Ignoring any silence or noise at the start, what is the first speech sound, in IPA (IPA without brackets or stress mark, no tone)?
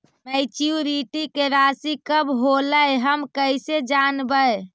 m